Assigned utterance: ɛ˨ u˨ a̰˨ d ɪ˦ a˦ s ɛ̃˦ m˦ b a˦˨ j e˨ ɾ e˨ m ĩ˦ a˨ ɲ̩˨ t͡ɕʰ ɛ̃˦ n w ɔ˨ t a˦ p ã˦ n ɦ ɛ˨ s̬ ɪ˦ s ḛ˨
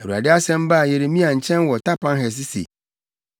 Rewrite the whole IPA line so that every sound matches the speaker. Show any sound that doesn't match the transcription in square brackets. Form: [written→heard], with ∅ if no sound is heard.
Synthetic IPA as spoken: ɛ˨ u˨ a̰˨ d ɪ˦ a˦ s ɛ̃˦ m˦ b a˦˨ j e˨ ɾ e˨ m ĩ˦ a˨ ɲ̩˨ t͡ɕʰ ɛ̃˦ n w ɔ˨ t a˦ p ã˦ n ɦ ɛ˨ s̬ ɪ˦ s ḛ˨